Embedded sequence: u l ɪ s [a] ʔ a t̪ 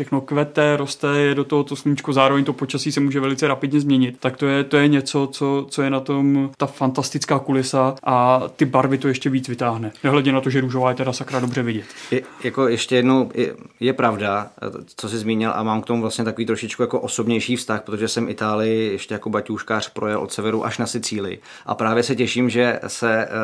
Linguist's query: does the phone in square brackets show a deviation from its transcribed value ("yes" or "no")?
no